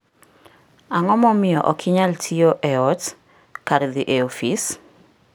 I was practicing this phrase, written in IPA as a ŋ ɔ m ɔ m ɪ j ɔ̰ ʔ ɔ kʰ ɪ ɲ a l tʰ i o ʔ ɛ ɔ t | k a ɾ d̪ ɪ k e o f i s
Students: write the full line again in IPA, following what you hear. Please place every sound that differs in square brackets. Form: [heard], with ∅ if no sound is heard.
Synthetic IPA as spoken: a ŋ ɔ m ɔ m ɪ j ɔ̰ ʔ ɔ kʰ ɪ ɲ a l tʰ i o ʔ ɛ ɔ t | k a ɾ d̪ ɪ [ʔ] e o f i s